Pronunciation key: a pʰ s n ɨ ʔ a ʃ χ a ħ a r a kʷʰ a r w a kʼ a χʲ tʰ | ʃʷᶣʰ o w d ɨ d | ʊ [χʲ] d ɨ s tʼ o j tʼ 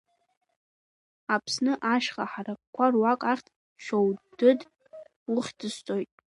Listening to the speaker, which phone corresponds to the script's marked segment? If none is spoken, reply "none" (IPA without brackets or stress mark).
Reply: χʲ